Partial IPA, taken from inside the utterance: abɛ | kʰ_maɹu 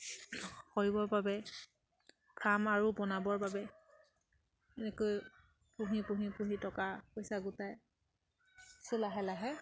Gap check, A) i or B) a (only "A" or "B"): B